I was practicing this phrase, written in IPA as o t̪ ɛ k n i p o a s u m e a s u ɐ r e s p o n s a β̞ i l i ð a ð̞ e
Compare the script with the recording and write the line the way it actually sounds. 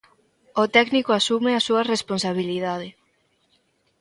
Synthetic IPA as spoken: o t̪ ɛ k n i k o a s u m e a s u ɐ r e s p o n s a β̞ i l i ð a ð̞ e